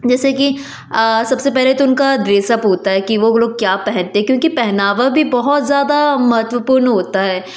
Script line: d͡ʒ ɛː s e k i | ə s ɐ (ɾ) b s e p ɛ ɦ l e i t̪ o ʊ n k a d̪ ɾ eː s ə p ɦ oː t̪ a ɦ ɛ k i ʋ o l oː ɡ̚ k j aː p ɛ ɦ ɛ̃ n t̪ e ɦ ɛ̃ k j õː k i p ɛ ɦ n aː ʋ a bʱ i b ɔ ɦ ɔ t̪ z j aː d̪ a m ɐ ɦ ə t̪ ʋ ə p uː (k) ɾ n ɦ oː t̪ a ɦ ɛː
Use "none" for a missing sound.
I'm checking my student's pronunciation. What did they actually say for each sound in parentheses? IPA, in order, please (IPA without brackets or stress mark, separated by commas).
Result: none, none